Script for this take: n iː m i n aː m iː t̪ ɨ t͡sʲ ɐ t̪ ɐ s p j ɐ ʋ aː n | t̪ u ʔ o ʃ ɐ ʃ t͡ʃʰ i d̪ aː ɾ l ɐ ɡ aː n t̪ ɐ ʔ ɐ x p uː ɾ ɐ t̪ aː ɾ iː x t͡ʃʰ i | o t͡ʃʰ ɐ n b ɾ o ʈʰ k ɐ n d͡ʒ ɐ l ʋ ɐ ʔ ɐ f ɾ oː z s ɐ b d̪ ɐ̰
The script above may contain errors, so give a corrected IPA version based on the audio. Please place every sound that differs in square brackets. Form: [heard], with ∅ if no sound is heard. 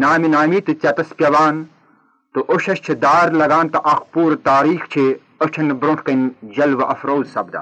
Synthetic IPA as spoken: n [aː] m i n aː m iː t̪ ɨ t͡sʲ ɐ t̪ ɐ s p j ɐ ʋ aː n | t̪ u ʔ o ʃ ɐ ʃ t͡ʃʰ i d̪ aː ɾ l ɐ ɡ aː n t̪ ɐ ʔ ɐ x p uː ɾ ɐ t̪ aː ɾ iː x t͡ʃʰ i | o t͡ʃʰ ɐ n b ɾ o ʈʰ k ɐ n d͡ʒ ɐ l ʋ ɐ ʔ ɐ f ɾ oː z s ɐ b d̪ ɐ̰